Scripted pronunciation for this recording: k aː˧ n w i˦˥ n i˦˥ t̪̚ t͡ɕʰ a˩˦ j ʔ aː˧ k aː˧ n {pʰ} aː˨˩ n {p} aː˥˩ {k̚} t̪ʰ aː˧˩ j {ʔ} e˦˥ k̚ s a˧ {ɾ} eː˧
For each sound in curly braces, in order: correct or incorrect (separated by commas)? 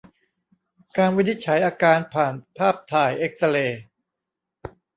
correct, incorrect, incorrect, correct, incorrect